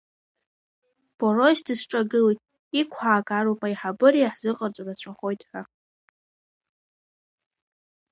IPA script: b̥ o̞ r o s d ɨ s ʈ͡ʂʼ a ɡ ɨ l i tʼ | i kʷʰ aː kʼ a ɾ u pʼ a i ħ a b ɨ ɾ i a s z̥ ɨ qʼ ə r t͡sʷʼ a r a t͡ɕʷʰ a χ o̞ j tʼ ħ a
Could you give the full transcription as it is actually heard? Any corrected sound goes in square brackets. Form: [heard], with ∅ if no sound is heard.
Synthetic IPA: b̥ o̞ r o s d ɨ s ʈ͡ʂʼ a ɡ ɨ l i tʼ | i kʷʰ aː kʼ a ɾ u pʼ a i ħ a b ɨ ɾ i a [ħ] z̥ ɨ qʼ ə r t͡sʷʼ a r a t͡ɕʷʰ a χ o̞ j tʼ ħ a